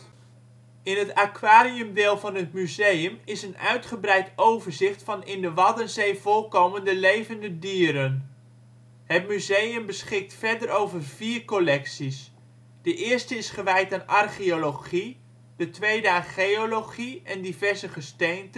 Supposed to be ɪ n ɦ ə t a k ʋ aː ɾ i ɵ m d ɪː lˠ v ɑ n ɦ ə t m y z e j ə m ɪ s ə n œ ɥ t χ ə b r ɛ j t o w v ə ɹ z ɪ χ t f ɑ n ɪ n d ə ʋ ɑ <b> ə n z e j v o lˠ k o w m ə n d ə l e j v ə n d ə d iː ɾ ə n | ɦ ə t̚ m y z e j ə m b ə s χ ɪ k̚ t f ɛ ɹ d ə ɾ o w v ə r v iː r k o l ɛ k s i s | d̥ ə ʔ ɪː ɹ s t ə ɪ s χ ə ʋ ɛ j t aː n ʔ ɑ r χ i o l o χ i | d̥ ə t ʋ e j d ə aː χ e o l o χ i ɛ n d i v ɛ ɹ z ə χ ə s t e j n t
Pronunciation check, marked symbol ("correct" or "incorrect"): incorrect